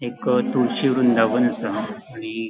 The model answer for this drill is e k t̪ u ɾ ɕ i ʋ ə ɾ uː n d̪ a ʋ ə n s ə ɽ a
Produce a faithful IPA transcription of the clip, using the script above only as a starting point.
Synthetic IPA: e k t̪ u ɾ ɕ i ʋ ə ɾ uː n d̪ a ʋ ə n s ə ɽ i